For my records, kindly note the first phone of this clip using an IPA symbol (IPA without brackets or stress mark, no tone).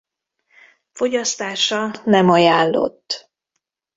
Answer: f